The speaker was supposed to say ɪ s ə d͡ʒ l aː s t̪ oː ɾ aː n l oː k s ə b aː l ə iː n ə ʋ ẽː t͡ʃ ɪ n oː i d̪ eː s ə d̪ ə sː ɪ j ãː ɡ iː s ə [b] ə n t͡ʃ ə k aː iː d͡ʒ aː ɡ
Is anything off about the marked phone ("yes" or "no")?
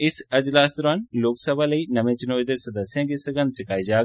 yes